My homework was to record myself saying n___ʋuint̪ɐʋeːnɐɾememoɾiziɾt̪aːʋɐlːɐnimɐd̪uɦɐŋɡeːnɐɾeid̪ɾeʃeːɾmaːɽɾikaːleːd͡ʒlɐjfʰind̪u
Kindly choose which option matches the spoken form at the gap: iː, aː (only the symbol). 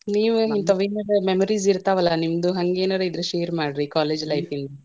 iː